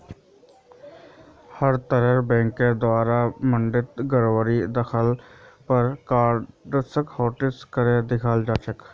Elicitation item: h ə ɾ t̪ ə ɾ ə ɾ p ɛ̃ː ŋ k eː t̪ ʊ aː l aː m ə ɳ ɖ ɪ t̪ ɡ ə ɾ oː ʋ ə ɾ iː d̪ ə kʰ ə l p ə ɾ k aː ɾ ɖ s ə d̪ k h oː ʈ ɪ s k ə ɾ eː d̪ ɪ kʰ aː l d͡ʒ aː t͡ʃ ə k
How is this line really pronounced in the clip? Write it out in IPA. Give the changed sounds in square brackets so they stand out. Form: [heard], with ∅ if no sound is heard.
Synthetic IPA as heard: h ə ɾ t̪ ə ɾ ə ɾ [b] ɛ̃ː ŋ k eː [d̪] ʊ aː [ɾ] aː m ə ɳ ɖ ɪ t̪ ɡ ə ɾ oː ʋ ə ɾ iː d̪ ə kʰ ə l p ə ɾ k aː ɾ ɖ s ə [∅] k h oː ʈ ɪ s k ə ɾ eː d̪ ɪ kʰ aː l d͡ʒ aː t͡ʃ ə k